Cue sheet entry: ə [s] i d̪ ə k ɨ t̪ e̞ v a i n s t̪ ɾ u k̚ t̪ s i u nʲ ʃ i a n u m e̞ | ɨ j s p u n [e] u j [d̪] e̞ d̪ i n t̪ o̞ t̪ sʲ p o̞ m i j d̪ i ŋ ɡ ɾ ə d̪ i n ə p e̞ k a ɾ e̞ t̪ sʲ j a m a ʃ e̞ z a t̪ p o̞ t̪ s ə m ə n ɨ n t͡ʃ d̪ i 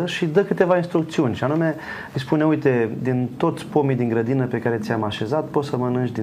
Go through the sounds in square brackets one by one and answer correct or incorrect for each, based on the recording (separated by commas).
incorrect, correct, incorrect